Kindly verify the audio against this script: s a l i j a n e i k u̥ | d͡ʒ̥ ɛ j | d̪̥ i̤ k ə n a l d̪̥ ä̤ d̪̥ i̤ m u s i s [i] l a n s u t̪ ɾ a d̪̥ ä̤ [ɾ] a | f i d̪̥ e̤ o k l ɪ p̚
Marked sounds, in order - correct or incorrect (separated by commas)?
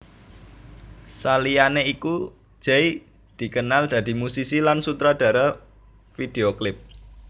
correct, correct